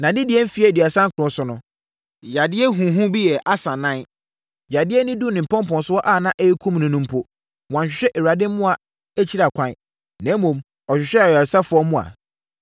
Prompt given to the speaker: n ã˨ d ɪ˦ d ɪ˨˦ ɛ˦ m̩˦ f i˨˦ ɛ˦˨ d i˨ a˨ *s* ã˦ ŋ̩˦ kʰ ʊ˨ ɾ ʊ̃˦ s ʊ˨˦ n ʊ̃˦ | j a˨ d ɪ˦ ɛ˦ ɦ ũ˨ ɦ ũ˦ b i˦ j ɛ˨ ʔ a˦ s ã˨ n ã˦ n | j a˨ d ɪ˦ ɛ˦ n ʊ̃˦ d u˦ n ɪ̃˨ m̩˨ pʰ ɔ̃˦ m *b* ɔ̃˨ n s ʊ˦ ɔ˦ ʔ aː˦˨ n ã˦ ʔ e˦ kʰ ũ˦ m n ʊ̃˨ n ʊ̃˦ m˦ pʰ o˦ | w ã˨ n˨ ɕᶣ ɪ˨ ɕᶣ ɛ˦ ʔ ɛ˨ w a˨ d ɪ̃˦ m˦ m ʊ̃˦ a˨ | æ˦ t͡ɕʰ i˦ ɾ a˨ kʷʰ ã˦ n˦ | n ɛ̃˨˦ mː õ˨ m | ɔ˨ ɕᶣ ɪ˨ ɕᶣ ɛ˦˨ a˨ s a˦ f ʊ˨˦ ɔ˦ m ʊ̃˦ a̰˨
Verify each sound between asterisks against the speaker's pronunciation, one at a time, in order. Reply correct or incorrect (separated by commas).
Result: correct, incorrect